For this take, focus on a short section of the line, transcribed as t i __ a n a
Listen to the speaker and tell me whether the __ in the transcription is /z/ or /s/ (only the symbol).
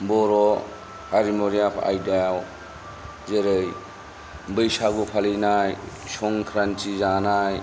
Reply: z